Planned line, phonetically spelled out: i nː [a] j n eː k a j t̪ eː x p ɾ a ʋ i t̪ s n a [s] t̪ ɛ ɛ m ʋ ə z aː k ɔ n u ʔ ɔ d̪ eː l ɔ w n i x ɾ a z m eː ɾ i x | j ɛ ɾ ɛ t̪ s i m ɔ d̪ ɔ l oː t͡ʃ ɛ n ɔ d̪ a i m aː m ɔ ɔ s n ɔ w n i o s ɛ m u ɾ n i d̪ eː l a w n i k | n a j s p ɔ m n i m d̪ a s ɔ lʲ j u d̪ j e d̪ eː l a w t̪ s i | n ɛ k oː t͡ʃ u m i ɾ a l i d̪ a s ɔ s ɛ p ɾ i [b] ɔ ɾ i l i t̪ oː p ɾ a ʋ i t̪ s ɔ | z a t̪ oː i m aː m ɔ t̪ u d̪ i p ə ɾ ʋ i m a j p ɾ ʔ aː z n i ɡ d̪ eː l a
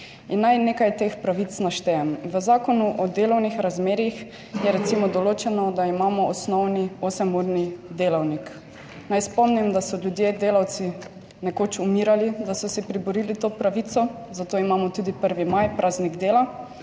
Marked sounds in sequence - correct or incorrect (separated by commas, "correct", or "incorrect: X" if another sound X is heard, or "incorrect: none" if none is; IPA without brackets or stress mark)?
correct, incorrect: ʃ, correct